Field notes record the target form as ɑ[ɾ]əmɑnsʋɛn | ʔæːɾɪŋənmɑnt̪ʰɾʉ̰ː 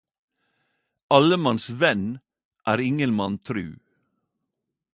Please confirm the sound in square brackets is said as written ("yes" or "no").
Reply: no